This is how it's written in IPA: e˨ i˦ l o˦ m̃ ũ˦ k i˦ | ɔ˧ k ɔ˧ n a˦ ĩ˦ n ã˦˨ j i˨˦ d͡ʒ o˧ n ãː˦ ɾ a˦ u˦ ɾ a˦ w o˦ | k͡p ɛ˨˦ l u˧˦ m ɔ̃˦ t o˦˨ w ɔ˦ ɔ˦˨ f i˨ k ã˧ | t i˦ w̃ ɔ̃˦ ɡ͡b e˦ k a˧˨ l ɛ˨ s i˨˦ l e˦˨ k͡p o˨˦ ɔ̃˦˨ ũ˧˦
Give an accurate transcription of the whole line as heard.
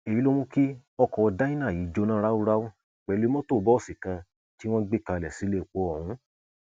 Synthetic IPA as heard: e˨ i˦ l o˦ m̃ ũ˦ k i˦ | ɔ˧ k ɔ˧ d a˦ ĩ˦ n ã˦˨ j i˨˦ d͡ʒ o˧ n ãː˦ ɾ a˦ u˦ ɾ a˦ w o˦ | k͡p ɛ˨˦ l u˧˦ m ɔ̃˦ t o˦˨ b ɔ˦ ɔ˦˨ s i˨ k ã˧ | t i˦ w̃ ɔ̃˦ ɡ͡b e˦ k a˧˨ l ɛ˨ s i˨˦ l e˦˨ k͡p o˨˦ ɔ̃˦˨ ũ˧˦